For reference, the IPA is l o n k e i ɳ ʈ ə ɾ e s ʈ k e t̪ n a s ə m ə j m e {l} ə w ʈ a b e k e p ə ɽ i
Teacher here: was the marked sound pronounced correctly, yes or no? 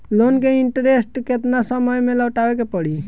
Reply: yes